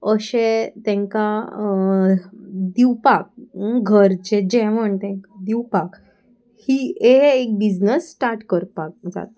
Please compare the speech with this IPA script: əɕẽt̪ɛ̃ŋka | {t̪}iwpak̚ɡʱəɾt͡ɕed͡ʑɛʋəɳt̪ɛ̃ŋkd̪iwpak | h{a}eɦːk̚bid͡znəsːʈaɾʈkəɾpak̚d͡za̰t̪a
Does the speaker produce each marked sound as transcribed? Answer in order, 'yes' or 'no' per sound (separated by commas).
no, no